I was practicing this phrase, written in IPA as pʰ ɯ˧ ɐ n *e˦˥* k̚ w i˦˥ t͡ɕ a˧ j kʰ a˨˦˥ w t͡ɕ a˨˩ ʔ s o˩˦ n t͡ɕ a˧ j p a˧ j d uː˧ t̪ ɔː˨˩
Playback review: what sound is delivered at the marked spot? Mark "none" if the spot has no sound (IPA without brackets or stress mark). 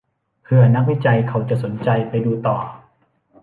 a˦˥